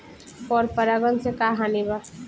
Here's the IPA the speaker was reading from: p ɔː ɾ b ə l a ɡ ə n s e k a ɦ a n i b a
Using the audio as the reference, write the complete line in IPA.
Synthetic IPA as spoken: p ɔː ɾ p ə ɾ a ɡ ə n s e k a ɦ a n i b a